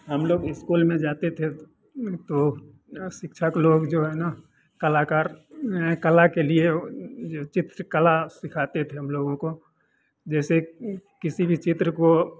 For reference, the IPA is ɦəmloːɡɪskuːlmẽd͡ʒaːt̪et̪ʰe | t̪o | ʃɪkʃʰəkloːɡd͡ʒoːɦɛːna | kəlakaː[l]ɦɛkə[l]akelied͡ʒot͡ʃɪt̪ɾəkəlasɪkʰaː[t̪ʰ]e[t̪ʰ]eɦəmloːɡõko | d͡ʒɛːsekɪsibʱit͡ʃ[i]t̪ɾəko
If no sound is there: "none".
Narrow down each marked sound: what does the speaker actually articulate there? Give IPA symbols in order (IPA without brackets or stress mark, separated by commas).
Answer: ɾ, l, t̪, t̪ʰ, ɪ